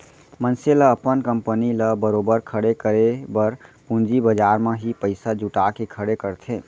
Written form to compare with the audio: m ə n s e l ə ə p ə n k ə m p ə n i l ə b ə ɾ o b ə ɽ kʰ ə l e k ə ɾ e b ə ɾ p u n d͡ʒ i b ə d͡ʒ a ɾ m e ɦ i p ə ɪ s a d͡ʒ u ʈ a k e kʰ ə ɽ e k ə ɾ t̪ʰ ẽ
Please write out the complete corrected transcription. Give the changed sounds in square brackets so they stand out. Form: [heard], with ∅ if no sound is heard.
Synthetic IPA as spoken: m ə n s e l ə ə p ə n k ə m p ə n i l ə b ə ɾ o b ə [ɾ] kʰ ə [ɽ] e k ə ɾ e b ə ɾ p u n d͡ʒ i b ə d͡ʒ a ɾ m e ɦ i p ə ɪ s a d͡ʒ u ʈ a k e kʰ ə ɽ e k ə ɾ t̪ʰ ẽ